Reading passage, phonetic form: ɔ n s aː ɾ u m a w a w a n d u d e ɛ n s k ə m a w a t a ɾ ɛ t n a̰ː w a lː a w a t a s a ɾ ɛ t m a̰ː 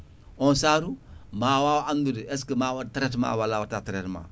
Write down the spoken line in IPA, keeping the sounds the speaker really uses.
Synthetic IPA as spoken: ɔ n s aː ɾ u m a w a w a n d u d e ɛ s k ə m a w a t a ɾ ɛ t m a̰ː w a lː a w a t a t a ɾ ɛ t m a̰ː